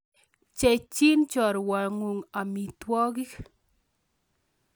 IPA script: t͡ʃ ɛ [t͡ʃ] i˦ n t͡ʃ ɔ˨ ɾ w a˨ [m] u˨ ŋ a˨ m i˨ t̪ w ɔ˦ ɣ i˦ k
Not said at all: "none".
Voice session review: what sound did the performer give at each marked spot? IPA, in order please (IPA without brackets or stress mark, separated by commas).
t͡ʃ, ŋ